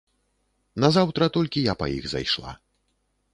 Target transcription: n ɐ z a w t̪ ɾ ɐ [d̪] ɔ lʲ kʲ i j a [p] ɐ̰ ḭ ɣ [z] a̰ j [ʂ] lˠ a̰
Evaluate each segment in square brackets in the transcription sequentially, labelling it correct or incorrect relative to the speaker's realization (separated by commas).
incorrect, correct, correct, correct